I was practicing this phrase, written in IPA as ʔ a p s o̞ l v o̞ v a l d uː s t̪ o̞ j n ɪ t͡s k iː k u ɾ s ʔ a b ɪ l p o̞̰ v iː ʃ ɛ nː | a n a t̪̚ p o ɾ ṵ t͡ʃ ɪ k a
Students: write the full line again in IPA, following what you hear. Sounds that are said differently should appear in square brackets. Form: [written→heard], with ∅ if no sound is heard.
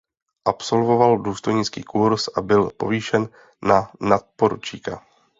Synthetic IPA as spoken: ʔ a p s o̞ l v o̞ v a l d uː s t̪ o̞ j [n→ɲ] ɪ t͡s k iː k u ɾ s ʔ a b ɪ l p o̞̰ v iː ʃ ɛ nː | a n a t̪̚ p o ɾ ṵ t͡ʃ [ɪ→i] k a